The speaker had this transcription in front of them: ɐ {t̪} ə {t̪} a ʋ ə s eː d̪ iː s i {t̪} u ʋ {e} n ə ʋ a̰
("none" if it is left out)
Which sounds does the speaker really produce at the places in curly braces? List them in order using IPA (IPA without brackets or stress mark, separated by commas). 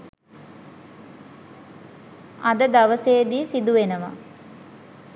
d̪, d̪, d̪, e